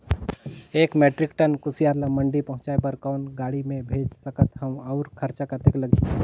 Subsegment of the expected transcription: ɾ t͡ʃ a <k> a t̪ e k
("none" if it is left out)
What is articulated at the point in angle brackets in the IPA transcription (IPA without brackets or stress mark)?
k